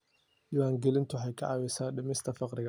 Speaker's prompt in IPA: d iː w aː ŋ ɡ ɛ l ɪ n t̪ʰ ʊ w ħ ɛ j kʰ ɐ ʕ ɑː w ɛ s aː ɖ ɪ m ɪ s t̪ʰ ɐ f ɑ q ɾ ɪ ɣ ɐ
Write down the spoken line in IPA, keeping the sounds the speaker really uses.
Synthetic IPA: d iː w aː ŋ ɡ ɛ l ɪ n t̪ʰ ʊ ħ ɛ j kʰ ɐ ʕ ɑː w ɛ s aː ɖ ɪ m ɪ s t̪ʰ ɐ f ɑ q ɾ ɪ ɣ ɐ